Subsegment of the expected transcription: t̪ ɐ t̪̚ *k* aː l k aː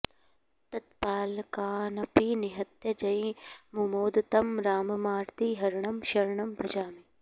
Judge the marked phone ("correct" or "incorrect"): incorrect